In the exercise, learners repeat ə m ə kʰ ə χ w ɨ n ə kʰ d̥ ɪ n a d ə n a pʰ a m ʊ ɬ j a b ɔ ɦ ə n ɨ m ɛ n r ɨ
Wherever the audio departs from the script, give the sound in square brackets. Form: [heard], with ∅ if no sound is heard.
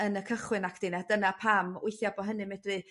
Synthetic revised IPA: ə [n] ə kʰ ə χ w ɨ n [a] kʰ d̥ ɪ n a d ə n a pʰ a m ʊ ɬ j a b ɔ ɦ ə n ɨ m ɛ [d] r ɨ